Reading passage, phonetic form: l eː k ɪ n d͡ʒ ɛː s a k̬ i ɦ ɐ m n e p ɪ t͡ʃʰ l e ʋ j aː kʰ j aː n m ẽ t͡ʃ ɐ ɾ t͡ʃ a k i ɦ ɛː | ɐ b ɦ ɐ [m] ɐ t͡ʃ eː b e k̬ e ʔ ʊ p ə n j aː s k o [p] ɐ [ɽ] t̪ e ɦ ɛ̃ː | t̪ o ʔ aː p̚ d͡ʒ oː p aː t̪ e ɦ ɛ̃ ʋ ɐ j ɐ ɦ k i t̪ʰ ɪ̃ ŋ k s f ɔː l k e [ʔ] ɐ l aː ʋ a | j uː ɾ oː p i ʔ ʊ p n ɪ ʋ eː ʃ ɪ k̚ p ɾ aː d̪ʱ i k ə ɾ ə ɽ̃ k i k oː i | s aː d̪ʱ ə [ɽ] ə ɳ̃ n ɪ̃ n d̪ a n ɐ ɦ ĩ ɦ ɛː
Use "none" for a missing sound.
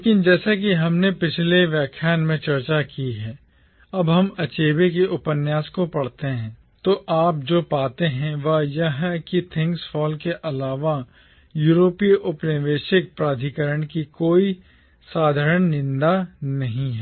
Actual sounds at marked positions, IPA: m, p, ɽ, ʔ, ɾ

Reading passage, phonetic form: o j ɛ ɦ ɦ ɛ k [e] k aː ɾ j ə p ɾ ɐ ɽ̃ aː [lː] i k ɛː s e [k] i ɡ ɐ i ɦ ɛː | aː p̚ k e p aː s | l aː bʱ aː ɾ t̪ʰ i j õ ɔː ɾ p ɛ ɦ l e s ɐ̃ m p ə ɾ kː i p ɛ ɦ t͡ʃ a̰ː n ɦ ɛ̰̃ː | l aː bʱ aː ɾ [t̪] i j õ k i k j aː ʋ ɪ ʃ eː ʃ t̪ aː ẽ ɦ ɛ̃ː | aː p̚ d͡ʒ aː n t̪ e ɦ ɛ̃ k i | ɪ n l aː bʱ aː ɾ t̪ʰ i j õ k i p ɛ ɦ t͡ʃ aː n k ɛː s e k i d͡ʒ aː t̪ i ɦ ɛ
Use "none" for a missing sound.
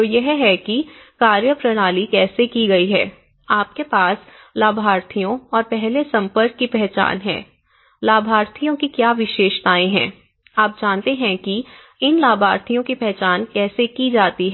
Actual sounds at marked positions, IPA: i, l, k, t̪ʰ

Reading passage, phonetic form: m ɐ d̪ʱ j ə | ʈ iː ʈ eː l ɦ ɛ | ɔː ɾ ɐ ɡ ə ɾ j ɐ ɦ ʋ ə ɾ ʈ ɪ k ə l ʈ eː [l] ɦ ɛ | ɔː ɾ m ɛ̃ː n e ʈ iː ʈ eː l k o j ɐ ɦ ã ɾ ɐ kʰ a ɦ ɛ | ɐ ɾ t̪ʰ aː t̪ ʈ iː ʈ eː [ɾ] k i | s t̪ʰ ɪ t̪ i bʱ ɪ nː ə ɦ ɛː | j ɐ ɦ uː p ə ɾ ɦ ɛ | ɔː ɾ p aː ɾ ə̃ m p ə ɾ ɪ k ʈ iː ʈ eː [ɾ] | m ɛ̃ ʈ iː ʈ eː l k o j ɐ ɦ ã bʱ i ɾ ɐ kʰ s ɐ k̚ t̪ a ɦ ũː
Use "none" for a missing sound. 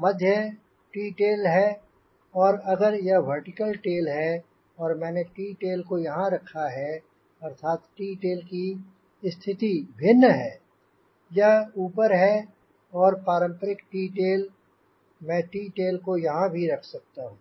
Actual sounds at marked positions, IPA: l, l, l

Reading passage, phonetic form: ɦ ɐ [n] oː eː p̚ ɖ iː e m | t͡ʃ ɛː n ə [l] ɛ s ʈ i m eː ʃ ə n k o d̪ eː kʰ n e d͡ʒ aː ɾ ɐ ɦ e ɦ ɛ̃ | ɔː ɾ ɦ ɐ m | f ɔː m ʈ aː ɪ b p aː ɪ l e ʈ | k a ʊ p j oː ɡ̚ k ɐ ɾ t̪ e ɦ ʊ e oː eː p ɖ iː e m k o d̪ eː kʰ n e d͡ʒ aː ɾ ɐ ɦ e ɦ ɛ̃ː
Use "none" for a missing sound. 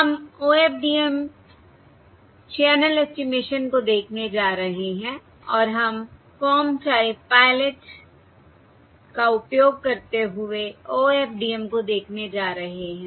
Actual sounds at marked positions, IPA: m, l

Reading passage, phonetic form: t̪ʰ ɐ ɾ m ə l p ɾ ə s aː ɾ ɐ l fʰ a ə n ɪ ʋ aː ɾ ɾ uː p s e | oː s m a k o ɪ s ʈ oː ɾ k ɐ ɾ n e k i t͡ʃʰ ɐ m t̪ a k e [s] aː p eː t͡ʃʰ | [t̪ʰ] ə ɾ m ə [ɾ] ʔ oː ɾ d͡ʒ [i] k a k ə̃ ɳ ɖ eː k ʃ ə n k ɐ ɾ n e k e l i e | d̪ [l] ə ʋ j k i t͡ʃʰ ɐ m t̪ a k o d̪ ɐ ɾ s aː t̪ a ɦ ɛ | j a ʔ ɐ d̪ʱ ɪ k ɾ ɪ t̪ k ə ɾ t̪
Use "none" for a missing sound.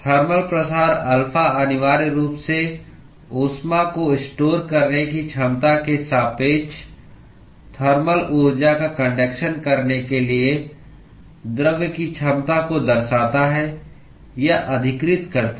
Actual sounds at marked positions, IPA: s, t̪ʰ, l, a, ɾ

